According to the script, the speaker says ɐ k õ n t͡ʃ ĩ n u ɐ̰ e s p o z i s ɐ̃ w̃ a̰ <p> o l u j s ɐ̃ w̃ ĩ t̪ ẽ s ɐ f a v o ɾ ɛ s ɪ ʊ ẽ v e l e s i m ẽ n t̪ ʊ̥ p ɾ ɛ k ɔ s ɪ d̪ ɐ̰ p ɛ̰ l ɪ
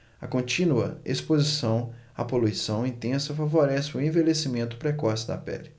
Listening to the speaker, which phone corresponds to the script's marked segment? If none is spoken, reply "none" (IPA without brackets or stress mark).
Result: p